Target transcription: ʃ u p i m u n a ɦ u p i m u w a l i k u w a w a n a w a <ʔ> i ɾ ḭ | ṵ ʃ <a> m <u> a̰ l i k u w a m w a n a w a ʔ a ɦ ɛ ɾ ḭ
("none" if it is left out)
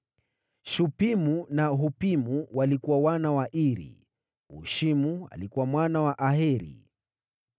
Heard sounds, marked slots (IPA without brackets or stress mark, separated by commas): ʔ, i, u